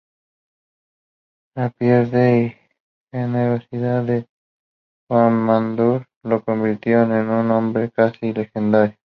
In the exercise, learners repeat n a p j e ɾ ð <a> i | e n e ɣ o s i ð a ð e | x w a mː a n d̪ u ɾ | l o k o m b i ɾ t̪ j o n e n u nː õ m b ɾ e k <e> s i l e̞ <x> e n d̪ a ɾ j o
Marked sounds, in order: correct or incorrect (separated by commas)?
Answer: incorrect, incorrect, correct